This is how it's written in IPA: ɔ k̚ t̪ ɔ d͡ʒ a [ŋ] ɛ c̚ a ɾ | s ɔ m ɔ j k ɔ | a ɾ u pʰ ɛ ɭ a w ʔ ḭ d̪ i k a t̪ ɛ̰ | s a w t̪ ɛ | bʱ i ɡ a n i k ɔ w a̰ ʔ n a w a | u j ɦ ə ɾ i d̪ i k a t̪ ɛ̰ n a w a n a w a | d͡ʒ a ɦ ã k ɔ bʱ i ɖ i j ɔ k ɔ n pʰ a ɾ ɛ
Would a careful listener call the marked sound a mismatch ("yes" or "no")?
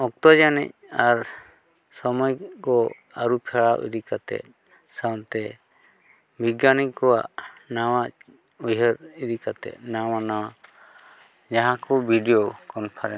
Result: yes